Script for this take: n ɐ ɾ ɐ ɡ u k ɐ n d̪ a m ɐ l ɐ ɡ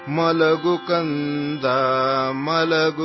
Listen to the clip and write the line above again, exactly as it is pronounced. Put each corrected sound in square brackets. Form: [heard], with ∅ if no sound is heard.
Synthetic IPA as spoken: [m] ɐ [l] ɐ ɡ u k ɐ n d̪ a m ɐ l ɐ ɡ